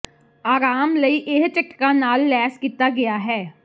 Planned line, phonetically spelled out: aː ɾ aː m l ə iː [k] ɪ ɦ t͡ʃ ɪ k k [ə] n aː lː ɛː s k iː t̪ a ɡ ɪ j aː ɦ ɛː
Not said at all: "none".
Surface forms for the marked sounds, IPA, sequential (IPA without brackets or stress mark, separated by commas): ʔ, a